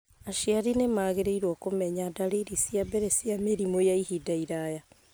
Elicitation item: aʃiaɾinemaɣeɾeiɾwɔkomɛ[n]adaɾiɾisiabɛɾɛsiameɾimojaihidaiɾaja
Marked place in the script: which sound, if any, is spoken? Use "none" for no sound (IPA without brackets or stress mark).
ɲ